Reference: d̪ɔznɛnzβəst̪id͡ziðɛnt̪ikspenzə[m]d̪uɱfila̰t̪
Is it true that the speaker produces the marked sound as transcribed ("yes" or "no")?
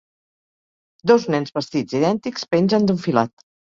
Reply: no